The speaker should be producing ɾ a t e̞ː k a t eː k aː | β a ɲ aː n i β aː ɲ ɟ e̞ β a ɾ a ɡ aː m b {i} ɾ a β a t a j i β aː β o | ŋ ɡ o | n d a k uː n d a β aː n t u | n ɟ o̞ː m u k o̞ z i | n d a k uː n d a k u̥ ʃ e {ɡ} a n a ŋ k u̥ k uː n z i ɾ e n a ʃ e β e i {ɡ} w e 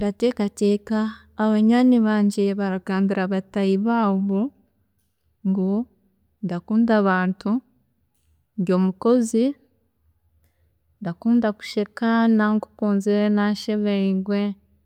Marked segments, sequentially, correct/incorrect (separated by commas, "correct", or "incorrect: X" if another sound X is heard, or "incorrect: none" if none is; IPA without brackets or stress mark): correct, incorrect: k, correct